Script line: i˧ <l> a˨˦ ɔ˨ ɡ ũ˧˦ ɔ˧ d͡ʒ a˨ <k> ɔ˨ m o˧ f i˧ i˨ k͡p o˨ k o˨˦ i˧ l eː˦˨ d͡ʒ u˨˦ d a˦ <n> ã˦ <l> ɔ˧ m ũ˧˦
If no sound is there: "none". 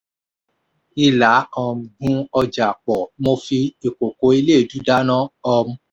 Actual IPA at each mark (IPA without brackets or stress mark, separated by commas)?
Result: l, k͡p, n, none